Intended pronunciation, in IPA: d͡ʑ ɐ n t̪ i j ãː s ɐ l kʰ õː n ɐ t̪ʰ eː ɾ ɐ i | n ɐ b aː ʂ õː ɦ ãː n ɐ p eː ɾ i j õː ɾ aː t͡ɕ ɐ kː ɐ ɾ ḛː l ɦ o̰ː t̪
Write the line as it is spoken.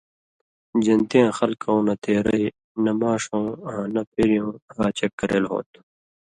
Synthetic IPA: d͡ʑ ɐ n t̪ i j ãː x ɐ l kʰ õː n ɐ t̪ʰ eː ɾ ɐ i | n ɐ m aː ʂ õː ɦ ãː n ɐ p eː ɾ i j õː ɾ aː t͡ɕ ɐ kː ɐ ɾ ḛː l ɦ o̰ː t̪